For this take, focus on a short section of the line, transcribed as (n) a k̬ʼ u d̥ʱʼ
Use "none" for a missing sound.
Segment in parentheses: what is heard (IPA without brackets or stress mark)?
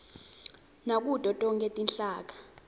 n